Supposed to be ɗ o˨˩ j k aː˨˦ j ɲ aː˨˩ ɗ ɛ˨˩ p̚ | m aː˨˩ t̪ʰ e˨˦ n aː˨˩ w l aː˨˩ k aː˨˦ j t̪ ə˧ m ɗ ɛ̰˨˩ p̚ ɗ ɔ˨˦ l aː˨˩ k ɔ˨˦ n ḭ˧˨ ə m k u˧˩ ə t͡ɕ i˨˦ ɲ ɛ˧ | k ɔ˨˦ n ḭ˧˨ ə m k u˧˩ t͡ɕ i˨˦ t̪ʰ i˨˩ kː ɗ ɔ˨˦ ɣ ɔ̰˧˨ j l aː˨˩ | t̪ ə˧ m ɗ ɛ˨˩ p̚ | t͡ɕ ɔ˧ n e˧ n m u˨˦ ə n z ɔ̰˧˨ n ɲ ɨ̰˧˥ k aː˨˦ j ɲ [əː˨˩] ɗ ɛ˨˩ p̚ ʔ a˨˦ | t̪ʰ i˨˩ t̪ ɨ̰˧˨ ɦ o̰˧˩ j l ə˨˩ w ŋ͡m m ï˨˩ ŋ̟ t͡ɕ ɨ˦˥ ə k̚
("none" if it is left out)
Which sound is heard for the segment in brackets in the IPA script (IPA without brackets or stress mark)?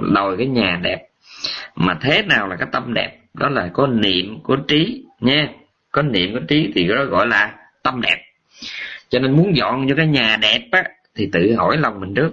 aː˨˩